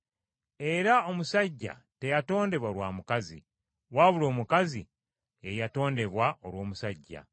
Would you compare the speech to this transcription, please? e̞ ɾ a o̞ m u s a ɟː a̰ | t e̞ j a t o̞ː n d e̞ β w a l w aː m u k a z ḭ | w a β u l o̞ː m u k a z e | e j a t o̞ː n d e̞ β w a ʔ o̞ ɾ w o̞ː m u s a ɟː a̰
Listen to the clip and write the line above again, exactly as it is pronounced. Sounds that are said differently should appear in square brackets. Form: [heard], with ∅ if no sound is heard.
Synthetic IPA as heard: e̞ ɾ a o̞ m u s a ɟː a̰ | t e̞ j a t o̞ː n d e̞ β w a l w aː m u k a z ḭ | w a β u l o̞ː m u k a z [i] | e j a t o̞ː n d e̞ β w a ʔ o̞ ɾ w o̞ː m u s a ɟː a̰